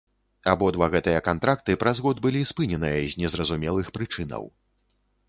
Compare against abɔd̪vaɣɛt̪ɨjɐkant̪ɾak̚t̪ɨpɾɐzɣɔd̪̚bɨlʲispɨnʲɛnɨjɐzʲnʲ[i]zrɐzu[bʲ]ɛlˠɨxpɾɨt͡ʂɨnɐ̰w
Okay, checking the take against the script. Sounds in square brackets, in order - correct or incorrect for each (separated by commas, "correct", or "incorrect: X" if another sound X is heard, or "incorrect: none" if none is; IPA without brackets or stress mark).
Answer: incorrect: ɛ, incorrect: mʲ